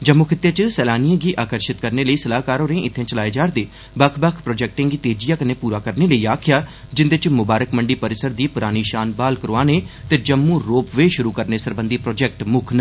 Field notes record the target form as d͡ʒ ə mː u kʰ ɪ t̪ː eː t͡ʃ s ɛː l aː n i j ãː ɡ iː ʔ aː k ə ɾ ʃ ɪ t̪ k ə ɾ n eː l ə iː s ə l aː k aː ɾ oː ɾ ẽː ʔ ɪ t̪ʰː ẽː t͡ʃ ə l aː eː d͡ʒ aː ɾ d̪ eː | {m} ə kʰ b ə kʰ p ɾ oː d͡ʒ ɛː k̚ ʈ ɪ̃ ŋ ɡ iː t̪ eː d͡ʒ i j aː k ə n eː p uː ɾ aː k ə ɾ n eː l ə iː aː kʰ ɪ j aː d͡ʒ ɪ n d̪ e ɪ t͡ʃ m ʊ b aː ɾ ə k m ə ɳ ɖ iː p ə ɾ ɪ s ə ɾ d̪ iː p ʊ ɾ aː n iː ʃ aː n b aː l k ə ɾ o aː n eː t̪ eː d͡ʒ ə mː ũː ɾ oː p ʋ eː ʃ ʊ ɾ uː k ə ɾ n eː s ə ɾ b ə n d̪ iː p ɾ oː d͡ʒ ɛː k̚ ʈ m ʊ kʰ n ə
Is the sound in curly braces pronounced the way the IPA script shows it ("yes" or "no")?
no